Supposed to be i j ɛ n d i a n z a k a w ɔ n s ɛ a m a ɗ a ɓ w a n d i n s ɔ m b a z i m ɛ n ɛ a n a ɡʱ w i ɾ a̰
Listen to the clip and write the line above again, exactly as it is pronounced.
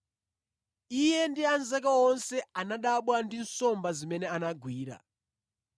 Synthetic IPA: i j ɛ n d i a n z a k a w ɔ n s ɛ a n a ɗ a ɓ w a n d i n s ɔ m b a z i m ɛ n ɛ a n a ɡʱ w iː ɾ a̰